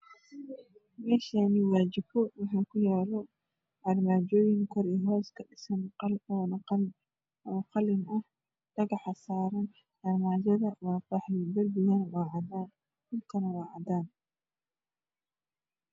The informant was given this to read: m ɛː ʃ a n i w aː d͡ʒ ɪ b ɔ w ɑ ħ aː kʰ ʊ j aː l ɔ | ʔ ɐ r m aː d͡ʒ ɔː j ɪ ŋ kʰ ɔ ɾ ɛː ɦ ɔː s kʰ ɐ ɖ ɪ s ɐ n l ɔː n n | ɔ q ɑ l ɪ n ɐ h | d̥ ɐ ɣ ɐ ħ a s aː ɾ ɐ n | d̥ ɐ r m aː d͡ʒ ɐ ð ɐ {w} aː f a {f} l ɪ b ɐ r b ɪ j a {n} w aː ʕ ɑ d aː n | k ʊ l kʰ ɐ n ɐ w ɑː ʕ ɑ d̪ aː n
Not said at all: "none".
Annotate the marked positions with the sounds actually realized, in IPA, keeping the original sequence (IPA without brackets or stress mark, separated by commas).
w, ħ, n